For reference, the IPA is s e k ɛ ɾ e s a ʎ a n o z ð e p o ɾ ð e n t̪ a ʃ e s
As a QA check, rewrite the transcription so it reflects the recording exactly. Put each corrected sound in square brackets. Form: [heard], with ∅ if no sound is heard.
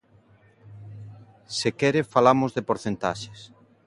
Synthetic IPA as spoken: s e k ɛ ɾ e [f] a [l] a [m] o z ð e p o ɾ [θ] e n t̪ a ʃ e s

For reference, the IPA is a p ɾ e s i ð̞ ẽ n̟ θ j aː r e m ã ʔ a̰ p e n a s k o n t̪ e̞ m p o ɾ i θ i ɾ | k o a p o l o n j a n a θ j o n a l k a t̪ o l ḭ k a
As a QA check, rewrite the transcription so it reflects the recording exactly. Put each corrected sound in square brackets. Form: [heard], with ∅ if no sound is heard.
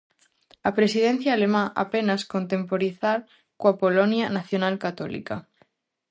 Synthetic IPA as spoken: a p ɾ e s i ð̞ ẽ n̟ θ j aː [l] e m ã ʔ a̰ p e n a s k o n t̪ e̞ m p o ɾ i θ [a] ɾ | k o a p o l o n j a n a θ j o n a l k a t̪ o l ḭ k a

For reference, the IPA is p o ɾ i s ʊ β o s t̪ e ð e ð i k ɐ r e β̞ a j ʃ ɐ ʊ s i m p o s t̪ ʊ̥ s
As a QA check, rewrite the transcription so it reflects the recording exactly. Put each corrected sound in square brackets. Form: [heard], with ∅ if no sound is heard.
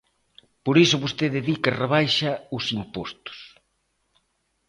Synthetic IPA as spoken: p o ɾ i s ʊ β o s t̪ e ð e ð i k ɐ r e β̞ a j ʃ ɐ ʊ s i m p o s t̪ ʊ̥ s

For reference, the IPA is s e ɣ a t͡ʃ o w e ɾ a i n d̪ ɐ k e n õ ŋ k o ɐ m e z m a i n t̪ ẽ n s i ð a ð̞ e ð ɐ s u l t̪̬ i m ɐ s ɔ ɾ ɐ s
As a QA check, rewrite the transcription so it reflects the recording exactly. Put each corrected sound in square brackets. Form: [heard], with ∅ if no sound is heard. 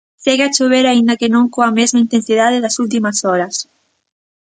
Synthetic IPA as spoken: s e ɣ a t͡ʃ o [β] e ɾ a i n d̪ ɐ k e n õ ŋ k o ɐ m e z m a i n t̪ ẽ n s i ð a ð̞ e ð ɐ s u l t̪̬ i m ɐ s ɔ ɾ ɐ s

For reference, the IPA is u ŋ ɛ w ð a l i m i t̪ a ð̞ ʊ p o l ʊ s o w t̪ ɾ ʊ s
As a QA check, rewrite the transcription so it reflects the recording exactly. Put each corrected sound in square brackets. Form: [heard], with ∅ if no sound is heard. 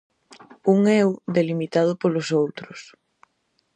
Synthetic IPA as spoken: u ŋ ɛ w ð [e] l i m i t̪ a ð̞ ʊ p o l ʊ s o w t̪ ɾ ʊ s

